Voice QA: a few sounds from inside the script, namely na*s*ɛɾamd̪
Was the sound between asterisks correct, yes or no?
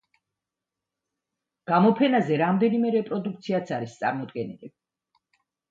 no